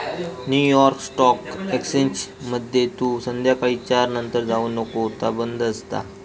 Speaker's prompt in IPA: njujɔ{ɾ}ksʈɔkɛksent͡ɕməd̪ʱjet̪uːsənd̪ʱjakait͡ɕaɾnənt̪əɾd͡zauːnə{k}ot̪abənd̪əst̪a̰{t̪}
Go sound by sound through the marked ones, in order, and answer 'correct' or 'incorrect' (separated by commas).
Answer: correct, correct, incorrect